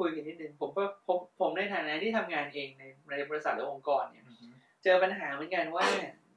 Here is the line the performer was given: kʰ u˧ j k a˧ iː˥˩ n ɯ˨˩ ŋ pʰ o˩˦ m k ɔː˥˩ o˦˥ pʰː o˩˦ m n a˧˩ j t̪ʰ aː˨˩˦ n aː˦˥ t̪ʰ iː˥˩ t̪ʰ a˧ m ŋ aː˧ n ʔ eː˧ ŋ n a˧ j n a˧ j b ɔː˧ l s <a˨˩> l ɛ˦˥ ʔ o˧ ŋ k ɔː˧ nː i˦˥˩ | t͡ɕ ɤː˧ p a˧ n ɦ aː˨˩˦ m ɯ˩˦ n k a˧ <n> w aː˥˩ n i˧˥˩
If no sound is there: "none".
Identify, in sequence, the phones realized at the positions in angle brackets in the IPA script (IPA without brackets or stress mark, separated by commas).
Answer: a˨˩, n